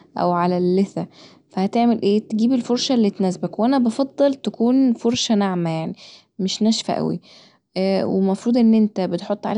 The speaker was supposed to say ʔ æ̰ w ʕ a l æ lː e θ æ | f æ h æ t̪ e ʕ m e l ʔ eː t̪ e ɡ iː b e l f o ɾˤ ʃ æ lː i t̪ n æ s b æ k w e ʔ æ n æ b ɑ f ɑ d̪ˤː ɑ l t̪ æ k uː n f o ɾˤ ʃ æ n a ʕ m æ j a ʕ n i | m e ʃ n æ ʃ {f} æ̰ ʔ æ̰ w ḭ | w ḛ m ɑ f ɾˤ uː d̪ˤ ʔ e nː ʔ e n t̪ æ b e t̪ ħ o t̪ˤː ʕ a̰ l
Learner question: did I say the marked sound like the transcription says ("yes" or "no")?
yes